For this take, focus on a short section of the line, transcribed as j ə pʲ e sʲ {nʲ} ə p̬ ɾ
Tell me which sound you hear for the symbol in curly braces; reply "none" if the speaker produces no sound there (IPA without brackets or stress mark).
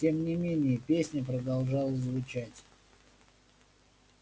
nʲ